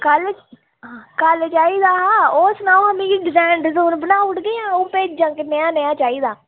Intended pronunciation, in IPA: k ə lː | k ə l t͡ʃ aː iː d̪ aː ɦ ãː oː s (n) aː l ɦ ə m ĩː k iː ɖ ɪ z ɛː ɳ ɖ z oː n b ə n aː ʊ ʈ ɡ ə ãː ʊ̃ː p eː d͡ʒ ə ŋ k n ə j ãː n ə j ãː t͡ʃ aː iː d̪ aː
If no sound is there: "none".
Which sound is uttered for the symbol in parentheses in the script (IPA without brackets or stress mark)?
n